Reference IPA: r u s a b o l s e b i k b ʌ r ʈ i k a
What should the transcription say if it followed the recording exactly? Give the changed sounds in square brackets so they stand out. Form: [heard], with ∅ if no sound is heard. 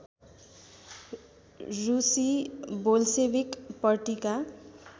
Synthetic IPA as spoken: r u s [i] b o l s e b i k [p] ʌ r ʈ i k a